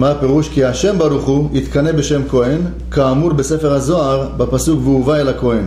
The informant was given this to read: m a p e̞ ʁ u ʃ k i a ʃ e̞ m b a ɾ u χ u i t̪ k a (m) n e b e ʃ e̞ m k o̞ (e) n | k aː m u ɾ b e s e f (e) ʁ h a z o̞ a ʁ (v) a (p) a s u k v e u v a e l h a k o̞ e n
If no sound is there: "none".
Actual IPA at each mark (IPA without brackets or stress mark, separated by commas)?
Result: none, e, e, b, p